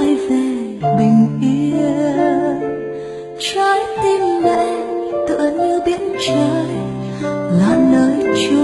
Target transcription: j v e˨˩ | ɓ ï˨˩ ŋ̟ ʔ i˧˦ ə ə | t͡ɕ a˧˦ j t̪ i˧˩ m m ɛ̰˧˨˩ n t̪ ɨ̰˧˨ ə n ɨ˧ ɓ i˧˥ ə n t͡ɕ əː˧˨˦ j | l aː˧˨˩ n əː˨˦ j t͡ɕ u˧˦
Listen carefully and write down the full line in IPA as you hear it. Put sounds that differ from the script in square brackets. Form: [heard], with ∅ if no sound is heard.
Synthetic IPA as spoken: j v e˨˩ | ɓ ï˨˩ ŋ̟ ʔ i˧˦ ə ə | t͡ɕ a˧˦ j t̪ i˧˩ m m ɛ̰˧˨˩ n t̪ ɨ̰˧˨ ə [ɲ] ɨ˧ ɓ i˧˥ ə n t͡ɕ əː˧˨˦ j | l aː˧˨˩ n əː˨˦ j t͡ɕ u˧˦